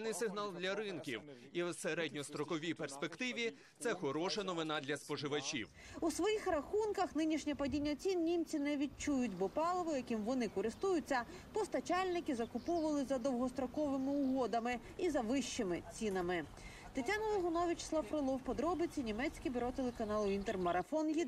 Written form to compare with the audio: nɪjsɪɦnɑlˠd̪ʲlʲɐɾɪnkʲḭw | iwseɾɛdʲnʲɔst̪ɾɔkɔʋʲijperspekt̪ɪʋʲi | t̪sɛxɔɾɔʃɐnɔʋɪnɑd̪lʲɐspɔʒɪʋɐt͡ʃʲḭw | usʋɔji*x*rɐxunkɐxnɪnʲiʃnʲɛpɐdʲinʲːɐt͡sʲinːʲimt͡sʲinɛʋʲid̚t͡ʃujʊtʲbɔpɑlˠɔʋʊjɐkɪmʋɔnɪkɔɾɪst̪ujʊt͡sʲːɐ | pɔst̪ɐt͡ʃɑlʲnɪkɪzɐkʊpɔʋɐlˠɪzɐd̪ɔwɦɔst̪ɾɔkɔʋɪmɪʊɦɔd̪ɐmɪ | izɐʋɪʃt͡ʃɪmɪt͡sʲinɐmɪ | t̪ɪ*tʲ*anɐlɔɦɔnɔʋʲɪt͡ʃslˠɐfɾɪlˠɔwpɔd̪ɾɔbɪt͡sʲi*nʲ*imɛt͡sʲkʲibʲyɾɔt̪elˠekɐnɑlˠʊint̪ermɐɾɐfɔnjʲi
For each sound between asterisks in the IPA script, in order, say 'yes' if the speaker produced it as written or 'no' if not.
yes, yes, yes

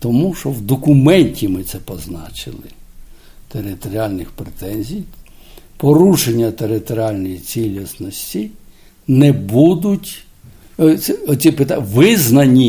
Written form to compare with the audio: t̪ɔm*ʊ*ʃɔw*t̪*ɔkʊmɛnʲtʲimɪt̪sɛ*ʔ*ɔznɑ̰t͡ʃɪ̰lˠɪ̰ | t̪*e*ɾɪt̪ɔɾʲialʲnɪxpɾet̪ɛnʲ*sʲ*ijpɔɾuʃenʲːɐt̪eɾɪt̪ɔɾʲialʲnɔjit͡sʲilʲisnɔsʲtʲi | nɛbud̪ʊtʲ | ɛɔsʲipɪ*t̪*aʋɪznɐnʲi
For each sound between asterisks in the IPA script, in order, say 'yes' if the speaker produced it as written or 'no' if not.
no, no, no, yes, no, yes

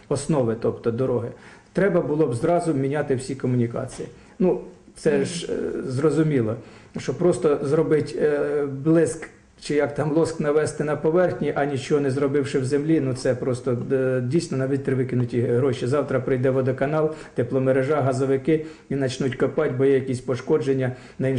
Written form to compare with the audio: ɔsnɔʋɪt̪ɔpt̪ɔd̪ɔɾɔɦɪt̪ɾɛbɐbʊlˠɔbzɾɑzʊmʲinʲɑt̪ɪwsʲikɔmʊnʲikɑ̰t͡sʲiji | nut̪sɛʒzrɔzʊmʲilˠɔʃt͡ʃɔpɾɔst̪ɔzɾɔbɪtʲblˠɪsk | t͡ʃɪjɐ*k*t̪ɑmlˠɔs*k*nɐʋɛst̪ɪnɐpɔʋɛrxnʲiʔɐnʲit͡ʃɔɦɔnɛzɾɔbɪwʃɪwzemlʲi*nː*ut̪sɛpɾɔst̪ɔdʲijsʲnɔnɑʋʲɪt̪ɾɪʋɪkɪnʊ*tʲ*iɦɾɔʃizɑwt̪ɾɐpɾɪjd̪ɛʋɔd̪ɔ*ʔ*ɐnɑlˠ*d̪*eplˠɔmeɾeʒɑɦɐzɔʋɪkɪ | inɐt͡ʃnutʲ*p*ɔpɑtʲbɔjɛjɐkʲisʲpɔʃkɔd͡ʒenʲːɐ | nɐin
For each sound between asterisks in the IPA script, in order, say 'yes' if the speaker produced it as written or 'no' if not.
yes, yes, no, yes, no, no, no

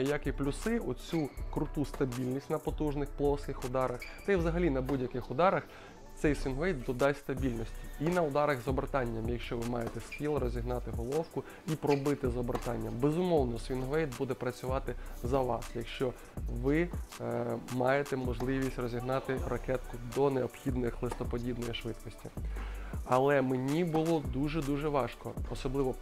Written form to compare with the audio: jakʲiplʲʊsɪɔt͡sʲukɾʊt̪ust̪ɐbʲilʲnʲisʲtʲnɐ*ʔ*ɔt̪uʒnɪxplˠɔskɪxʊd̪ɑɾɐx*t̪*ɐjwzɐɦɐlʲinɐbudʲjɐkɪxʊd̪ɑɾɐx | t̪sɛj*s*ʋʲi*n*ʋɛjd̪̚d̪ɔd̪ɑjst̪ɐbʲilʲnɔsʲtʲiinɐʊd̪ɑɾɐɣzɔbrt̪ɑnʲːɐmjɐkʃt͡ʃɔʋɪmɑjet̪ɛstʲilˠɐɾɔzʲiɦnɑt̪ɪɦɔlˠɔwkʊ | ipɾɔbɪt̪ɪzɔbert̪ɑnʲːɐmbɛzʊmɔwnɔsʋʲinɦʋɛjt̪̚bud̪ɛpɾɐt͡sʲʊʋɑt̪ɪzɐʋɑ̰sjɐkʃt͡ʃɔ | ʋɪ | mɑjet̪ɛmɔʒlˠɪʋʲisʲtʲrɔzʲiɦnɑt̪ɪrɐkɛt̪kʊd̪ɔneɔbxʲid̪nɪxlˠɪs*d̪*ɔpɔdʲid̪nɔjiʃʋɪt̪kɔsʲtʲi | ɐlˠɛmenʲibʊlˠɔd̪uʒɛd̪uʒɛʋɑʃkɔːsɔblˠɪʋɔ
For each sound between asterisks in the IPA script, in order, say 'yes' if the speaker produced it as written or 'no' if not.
no, yes, yes, yes, no

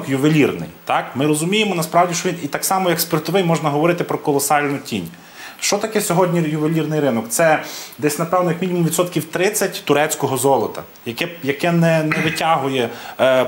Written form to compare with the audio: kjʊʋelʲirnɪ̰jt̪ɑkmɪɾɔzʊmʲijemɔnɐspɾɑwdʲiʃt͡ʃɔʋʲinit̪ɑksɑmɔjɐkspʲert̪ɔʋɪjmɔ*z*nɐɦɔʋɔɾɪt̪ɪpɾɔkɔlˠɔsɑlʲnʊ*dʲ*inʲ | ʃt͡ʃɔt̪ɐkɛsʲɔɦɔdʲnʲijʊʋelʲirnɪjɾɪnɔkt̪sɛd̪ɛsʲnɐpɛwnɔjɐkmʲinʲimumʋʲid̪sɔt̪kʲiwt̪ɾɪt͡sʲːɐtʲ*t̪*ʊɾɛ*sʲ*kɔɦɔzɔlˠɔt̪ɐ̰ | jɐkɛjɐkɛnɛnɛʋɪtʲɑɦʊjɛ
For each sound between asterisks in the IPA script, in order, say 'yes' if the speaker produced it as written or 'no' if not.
no, no, yes, no

